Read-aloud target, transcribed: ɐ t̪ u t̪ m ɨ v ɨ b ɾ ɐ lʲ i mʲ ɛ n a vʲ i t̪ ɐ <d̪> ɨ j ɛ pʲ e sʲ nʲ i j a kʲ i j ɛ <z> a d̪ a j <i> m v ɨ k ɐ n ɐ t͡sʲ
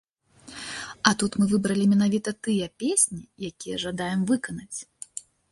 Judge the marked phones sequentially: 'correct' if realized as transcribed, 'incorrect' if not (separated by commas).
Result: incorrect, incorrect, incorrect